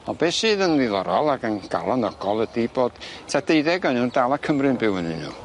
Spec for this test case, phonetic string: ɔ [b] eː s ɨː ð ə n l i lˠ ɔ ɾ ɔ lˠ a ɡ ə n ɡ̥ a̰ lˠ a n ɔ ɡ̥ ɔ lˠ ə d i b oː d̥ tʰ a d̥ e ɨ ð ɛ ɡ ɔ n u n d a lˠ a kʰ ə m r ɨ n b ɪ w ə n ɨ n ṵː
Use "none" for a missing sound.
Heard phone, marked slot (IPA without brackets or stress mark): b